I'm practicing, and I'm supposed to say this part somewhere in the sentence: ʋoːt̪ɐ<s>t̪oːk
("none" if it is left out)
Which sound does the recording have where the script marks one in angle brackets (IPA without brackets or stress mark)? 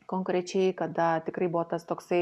s